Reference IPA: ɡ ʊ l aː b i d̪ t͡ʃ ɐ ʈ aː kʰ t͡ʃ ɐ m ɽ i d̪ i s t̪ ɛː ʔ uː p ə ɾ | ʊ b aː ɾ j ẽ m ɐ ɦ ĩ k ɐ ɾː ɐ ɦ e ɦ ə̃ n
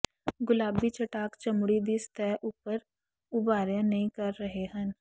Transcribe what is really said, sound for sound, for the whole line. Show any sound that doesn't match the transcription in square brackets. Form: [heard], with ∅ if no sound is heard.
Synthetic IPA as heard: ɡ ʊ l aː b i [∅] t͡ʃ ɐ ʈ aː [k] t͡ʃ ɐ m ɽ i d̪ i s t̪ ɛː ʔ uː p ə ɾ | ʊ b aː ɾ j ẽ [n] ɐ ɦ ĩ k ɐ ɾː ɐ ɦ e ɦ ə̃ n